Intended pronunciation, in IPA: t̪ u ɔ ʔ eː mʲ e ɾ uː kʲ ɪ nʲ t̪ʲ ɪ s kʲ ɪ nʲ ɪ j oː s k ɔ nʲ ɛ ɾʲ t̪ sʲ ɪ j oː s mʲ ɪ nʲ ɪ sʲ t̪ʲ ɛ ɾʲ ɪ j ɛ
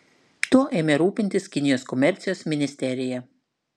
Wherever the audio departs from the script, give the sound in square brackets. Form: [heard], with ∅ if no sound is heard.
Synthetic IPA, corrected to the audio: t̪ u ɔ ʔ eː mʲ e ɾ uː [pʲ] ɪ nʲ t̪ʲ ɪ s kʲ ɪ nʲ ɪ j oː s k ɔ [mʲ] ɛ ɾʲ t̪ sʲ ɪ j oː s mʲ ɪ nʲ ɪ sʲ t̪ʲ ɛ ɾʲ ɪ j ɛ